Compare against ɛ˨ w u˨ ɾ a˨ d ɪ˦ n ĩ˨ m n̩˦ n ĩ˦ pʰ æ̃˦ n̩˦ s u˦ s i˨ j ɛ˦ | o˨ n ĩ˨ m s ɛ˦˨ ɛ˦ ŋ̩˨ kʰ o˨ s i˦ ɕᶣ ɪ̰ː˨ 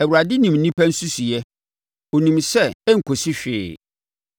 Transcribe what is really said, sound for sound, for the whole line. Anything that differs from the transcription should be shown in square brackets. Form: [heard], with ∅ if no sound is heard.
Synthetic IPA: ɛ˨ w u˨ ɾ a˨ d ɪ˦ n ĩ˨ m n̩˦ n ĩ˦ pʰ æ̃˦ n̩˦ s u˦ s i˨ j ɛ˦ | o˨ n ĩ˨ m s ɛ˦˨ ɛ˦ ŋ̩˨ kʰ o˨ s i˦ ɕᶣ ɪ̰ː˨